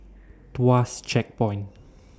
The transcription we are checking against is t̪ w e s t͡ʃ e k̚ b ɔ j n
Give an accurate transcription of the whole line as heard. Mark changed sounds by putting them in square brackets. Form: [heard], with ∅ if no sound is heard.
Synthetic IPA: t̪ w [a] s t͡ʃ [ɛ] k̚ [p] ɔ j n